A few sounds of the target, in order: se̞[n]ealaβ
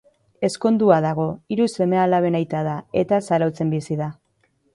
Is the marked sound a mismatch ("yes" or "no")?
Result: yes